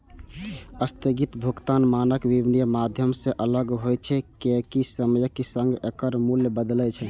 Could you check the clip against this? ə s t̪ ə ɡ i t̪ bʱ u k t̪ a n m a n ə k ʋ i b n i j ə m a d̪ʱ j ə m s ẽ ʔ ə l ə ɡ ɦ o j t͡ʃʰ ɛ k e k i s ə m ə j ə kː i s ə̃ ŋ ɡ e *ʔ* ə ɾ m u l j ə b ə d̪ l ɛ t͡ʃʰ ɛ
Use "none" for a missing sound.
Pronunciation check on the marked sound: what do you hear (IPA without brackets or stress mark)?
k